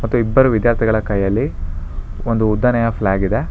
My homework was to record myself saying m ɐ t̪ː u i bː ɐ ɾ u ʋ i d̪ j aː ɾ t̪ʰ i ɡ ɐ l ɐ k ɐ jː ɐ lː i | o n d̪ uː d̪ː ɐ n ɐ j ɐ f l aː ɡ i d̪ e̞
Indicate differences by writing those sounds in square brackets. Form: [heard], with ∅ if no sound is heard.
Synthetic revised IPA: m ɐ t̪ː u i bː ɐ ɾ u ʋ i d̪ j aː ɾ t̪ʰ i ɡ ɐ [ɭ] ɐ k ɐ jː ɐ lː i | o n d̪ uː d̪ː ɐ n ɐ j ɐ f l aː ɡ i d̪ e̞